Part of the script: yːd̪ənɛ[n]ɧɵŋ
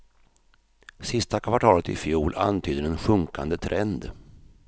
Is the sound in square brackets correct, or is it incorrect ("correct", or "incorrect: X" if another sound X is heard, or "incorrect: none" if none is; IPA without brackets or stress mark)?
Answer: correct